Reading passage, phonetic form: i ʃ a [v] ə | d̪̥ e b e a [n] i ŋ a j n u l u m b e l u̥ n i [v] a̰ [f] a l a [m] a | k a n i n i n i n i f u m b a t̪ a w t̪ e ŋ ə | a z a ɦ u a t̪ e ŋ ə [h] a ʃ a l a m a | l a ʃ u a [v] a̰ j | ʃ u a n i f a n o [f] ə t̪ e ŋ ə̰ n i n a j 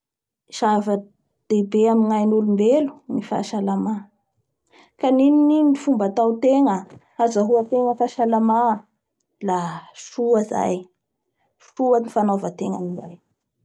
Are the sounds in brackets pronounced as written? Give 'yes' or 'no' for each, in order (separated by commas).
yes, no, no, no, yes, no, no, no